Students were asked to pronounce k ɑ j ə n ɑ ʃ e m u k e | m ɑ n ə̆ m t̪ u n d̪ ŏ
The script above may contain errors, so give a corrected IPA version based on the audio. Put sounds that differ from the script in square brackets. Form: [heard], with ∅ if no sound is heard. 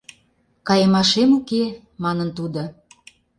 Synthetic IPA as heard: k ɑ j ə [m] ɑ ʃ e m u k e | m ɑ n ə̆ [n] t̪ u [∅] d̪ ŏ